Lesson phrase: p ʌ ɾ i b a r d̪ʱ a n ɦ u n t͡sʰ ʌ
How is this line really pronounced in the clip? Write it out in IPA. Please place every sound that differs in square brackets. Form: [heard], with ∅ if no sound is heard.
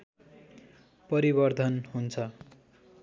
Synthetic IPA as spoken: p ʌ ɾ i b [ʌ] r d̪ʱ [ʌ] n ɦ u n t͡sʰ ʌ